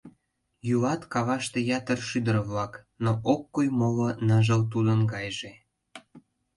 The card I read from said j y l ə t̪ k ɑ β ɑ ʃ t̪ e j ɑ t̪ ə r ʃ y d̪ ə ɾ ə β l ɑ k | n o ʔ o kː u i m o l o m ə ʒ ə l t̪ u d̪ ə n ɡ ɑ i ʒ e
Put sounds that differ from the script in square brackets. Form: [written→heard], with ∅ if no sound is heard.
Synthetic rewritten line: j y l [ə→ɑ] t̪ k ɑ β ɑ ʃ t̪ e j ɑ t̪ ə r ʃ y d̪ ə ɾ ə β l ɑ k | n o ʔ o kː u [i→j] m o l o [m→n] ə ʒ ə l t̪ u d̪ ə n ɡ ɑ [i→j] ʒ e